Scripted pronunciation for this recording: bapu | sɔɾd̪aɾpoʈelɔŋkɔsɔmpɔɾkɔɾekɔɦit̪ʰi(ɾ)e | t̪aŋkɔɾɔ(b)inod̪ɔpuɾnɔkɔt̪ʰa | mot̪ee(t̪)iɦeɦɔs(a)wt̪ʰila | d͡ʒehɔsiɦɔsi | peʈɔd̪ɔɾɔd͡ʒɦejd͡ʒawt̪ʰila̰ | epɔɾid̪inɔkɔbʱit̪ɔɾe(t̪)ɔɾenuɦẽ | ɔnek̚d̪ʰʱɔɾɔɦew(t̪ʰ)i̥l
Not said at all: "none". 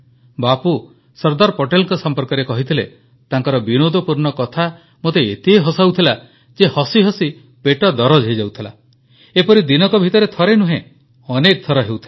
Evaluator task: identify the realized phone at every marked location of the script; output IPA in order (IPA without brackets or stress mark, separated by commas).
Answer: l, b, t̪, a, t̪ʰ, t̪ʰ